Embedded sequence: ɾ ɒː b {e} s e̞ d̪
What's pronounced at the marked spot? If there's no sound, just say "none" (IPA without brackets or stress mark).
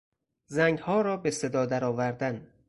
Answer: e